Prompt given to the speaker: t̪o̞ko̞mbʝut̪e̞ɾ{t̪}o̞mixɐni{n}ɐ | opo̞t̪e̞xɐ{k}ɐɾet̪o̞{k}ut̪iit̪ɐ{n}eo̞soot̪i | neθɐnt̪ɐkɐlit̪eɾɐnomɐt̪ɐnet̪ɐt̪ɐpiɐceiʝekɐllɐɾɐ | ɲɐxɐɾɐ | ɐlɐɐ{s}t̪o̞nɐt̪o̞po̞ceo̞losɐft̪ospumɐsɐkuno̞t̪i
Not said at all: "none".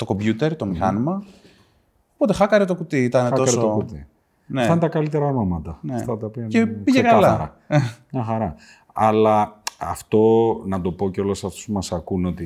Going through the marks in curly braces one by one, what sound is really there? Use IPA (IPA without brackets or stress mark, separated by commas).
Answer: t̪, m, k, k, n, f